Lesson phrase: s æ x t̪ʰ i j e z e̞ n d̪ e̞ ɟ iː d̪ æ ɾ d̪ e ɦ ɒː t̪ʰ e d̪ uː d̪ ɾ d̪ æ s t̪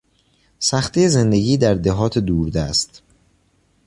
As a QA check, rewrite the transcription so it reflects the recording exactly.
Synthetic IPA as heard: s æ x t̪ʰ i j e z e̞ n d̪ e̞ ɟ iː d̪ æ ɾ d̪ e ɦ ɒː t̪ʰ e d̪ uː ɾ d̪ æ s t̪